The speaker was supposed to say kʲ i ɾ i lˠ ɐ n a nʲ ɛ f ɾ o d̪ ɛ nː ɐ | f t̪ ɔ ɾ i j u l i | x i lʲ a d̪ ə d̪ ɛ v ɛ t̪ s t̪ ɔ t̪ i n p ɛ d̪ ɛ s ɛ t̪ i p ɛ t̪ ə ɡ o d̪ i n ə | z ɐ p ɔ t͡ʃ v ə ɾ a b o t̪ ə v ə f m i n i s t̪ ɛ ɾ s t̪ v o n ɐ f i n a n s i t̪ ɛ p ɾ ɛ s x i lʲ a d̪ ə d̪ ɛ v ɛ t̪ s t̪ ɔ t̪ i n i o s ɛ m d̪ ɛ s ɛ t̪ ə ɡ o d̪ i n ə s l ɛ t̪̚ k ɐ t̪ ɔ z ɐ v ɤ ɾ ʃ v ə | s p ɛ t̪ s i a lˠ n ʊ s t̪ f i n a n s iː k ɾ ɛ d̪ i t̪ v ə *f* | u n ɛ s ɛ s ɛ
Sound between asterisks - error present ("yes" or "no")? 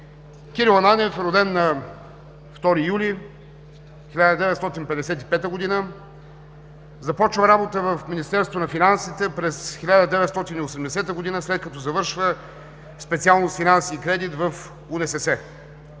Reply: no